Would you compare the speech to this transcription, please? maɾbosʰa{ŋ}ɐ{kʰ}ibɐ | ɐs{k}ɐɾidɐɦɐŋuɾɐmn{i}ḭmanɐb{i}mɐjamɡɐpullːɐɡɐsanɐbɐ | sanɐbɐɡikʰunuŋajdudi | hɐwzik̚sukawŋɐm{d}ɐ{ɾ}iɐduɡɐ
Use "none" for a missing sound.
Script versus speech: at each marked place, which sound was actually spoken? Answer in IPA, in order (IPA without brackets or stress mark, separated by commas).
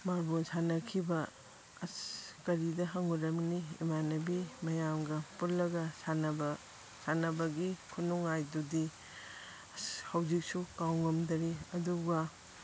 n, kʰ, k, i, i, d, ɾ